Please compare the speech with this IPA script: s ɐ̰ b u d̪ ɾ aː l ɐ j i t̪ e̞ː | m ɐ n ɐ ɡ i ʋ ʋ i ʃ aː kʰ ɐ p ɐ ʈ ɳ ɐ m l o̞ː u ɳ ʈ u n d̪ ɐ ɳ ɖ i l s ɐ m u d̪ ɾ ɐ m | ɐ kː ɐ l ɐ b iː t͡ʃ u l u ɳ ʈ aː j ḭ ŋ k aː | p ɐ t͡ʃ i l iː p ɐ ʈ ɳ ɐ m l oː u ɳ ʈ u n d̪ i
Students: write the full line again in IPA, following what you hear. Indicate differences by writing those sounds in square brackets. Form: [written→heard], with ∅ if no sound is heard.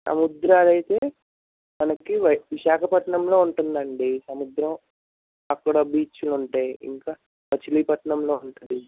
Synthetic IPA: s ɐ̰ [b→m] u d̪ ɾ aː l ɐ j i t̪ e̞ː | m ɐ n ɐ [ɡ→k] i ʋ ʋ i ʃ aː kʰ ɐ p ɐ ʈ ɳ ɐ m l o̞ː u ɳ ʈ u n d̪ ɐ ɳ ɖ i [l→∅] s ɐ m u d̪ ɾ ɐ m | ɐ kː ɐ [l→ɽ] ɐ b iː t͡ʃ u l u ɳ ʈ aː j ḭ ŋ k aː | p ɐ t͡ʃ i l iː p ɐ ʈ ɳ ɐ m l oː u ɳ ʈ u n d̪ i